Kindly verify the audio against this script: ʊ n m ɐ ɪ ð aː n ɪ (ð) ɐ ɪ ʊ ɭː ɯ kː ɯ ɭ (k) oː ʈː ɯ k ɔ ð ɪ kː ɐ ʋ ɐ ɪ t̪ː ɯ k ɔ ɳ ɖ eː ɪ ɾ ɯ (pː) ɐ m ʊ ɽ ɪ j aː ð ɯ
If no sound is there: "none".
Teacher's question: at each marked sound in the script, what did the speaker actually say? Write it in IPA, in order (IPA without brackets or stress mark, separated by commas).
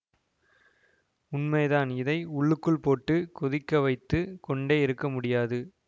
ð, p, kː